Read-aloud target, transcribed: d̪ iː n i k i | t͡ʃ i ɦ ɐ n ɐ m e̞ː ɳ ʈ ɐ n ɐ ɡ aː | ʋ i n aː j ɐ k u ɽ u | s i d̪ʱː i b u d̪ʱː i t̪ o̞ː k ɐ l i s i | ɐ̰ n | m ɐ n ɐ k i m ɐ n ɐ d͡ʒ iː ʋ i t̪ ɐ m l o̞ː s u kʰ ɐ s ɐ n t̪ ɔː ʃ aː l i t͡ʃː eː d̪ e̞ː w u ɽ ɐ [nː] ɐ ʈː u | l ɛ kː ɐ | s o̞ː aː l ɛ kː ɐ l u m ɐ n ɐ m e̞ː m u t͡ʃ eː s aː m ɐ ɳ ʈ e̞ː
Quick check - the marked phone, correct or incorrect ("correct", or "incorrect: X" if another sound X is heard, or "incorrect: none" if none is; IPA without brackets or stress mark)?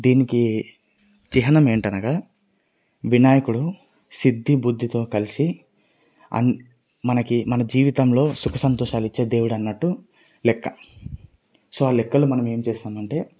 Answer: correct